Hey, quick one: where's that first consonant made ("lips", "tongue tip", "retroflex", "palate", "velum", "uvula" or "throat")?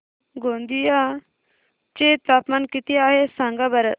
velum